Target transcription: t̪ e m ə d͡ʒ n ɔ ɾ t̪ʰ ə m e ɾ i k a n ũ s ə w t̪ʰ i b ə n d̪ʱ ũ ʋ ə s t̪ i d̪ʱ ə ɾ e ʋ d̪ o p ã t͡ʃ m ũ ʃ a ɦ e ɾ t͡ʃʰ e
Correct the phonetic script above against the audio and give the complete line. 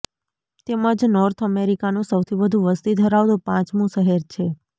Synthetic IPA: t̪ e m ə d͡ʒ n ɔ ɾ t̪ʰ ə m e ɾ i k a n ũ s ə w t̪ʰ i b ə d̪ʱ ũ ʋ ə s t̪ i d̪ʱ ə ɾ a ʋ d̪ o p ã t͡ʃ m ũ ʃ ə ɦ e ɾ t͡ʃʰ e